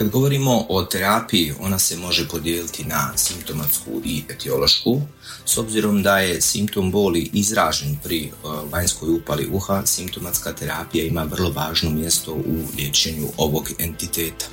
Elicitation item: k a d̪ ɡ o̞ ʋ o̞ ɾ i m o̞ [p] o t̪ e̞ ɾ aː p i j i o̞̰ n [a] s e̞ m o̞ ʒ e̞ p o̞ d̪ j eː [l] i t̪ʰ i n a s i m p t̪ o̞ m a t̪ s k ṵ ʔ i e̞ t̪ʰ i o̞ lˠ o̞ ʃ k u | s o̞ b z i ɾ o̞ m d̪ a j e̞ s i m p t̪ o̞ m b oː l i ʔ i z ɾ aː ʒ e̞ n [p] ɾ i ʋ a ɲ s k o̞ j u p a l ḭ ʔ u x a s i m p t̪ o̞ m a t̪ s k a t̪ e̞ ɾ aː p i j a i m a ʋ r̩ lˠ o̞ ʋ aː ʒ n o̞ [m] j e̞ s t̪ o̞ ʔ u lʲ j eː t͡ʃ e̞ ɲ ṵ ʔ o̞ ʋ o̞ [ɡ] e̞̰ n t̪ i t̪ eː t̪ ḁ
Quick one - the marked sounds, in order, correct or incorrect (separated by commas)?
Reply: incorrect, correct, correct, correct, correct, correct